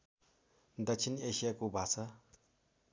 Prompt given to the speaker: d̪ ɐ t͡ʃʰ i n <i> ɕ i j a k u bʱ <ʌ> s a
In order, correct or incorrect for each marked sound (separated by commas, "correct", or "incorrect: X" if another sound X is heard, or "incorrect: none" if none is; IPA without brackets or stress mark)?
incorrect: e, incorrect: a